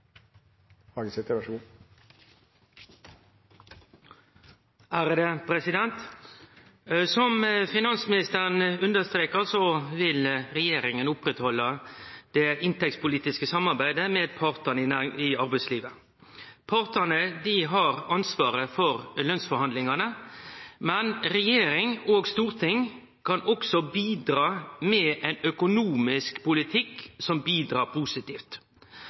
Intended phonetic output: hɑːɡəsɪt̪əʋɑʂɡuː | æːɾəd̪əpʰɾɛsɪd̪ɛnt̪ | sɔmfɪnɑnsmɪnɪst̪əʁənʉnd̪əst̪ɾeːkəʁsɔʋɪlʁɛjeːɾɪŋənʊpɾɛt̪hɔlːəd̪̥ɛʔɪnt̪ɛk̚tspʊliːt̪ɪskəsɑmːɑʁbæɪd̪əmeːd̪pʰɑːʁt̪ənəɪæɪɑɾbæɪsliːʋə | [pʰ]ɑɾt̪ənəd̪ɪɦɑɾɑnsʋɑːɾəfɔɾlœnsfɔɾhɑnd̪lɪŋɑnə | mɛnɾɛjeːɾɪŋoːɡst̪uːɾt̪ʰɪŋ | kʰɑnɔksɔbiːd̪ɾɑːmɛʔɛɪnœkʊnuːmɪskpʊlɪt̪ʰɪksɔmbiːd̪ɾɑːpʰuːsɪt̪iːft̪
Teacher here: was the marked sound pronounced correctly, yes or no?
yes